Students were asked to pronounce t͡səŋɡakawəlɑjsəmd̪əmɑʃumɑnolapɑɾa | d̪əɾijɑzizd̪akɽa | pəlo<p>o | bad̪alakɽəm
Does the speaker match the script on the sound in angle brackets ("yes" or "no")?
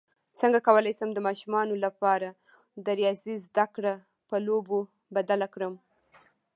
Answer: no